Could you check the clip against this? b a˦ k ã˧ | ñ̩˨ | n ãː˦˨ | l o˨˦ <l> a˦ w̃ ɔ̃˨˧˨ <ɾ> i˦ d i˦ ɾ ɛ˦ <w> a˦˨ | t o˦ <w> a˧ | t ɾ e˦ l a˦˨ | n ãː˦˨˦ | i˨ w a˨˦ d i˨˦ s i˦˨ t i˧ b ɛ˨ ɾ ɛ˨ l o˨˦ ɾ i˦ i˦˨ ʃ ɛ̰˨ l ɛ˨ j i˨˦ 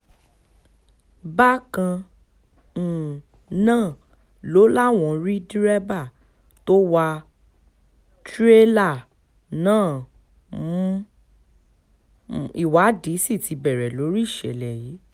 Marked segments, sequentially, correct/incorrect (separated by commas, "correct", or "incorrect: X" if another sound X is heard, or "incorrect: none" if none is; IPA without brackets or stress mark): correct, correct, incorrect: b, correct